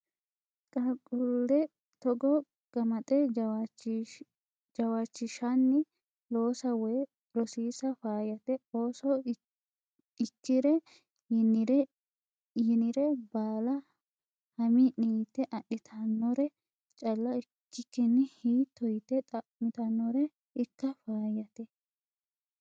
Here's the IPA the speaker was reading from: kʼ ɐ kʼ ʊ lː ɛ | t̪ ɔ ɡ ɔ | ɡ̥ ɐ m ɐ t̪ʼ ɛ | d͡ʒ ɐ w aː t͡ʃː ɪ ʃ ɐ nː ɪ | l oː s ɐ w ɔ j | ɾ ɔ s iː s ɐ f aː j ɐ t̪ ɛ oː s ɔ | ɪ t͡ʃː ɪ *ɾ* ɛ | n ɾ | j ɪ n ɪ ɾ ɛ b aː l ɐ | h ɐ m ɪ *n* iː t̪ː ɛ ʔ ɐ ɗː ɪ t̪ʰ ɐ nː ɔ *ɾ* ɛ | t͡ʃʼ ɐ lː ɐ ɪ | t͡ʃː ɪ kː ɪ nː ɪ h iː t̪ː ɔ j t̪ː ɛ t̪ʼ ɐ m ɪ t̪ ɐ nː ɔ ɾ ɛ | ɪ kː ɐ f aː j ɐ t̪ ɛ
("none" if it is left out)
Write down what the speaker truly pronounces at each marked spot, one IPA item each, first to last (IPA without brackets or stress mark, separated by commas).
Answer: ɾ, n, ɾ